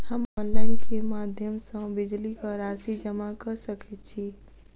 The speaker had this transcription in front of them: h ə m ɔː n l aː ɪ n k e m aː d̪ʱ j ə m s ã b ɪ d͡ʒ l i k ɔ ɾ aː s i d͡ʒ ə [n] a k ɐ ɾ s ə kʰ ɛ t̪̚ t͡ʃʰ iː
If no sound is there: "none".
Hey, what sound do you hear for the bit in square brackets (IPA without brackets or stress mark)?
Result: m